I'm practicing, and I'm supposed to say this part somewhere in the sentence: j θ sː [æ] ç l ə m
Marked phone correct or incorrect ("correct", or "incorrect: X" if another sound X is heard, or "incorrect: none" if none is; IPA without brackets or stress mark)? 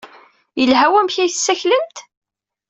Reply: correct